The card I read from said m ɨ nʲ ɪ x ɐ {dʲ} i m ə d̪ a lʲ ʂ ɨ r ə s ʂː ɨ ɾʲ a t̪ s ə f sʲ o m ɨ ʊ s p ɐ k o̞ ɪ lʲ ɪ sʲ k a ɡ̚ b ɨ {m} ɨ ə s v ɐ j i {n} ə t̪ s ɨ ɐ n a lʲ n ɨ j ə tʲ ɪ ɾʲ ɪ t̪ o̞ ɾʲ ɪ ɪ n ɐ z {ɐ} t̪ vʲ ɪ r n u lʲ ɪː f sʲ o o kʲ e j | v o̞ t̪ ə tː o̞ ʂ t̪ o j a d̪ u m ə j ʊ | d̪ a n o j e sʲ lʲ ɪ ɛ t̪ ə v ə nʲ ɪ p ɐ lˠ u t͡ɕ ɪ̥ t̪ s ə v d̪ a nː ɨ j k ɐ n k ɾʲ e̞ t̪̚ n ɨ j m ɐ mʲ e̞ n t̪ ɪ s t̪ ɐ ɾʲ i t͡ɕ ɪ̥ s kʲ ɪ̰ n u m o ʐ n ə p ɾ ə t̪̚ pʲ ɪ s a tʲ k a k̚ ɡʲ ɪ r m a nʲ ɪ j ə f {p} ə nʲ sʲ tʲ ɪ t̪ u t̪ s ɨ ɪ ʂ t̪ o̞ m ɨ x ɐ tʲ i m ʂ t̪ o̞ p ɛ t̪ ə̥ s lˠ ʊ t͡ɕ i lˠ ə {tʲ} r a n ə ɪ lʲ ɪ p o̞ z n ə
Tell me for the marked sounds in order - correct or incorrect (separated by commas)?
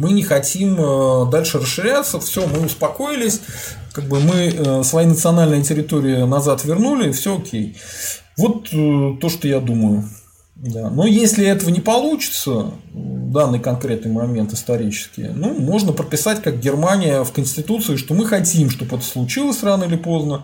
incorrect, correct, correct, incorrect, incorrect, incorrect